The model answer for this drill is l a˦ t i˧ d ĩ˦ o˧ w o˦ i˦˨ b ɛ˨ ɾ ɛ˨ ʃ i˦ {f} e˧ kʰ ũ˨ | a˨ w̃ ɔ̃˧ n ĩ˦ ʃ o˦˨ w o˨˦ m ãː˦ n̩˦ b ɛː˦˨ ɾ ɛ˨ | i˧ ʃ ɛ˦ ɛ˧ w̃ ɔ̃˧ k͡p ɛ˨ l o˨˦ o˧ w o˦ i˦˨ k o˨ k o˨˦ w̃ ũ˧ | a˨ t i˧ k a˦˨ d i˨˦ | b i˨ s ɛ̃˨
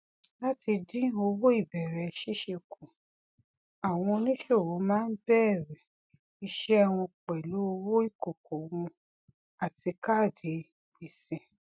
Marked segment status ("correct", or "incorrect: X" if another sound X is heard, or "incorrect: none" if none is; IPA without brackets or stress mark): incorrect: ʃ